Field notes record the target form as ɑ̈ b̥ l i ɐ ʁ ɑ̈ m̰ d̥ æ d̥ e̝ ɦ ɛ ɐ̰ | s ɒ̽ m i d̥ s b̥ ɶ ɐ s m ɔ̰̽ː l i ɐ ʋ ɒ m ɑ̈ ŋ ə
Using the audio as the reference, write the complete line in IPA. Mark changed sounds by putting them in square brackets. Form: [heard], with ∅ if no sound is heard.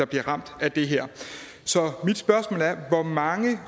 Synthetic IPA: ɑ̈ b̥ l i ɐ ʁ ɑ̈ m̰ d̥ æ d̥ e̝ ɦ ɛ ɐ̰ | s ɒ̽ m i d̥ s b̥ ɶ ɐ s m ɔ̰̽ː l [æ] ɐ ʋ ɒ m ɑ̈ ŋ ə